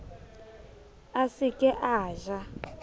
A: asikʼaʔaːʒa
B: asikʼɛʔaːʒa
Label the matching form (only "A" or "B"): B